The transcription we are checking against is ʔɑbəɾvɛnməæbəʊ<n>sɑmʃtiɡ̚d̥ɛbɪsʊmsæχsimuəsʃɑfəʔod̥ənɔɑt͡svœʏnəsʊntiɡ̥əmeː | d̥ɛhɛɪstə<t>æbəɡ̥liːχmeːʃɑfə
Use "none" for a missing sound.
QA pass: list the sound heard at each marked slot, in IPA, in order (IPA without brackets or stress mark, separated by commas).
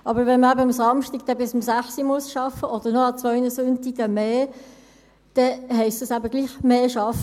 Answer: m, s